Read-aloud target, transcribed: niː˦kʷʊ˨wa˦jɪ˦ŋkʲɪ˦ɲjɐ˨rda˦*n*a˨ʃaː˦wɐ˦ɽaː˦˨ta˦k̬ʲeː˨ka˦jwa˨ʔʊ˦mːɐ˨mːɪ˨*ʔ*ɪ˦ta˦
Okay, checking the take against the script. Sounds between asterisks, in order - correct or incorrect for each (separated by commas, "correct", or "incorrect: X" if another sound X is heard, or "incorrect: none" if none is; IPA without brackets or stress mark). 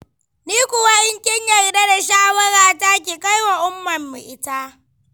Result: incorrect: d, correct